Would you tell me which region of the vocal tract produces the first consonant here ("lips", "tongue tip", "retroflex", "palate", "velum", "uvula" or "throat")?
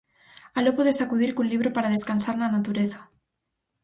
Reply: tongue tip